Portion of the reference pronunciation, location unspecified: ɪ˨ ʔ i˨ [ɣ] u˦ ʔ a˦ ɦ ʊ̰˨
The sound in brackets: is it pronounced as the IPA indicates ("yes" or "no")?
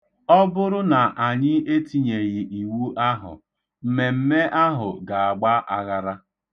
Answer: no